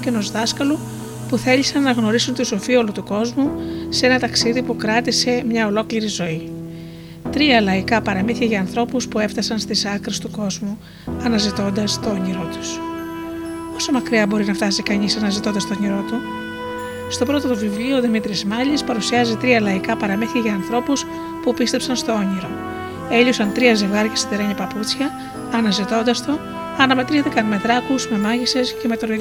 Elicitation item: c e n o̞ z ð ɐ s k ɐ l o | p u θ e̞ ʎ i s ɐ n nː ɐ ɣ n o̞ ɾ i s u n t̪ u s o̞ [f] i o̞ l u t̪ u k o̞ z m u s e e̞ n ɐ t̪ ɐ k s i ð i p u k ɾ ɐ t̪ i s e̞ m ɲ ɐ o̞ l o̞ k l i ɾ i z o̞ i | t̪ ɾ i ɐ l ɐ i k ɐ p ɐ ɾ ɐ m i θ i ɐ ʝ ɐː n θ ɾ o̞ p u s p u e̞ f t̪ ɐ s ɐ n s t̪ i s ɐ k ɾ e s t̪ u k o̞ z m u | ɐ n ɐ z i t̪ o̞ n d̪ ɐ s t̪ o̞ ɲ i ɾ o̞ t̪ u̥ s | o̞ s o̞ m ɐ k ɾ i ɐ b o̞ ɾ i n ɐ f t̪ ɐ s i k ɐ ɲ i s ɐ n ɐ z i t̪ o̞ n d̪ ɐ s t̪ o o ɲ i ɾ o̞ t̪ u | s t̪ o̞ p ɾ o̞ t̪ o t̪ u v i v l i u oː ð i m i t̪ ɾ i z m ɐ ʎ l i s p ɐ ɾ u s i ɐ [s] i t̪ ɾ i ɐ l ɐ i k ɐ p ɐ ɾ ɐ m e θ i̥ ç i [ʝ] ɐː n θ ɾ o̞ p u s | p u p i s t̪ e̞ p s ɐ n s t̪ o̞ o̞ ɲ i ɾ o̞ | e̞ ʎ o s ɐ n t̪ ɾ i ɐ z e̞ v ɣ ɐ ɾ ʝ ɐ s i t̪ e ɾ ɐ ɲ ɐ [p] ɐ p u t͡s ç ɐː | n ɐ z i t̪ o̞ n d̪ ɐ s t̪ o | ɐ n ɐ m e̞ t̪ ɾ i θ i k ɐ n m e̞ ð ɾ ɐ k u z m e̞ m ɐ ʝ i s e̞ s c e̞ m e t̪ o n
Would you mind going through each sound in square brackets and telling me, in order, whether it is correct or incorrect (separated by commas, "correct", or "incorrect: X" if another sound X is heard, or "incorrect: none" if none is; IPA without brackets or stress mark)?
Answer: correct, incorrect: z, correct, correct